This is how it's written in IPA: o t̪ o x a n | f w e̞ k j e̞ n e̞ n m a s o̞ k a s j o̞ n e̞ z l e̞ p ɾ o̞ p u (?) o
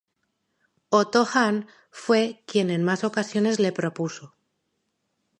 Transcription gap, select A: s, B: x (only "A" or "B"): A